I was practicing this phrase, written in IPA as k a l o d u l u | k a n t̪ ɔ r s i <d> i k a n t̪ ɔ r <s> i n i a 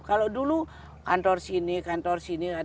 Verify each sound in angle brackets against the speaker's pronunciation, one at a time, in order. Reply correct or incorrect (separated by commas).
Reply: incorrect, correct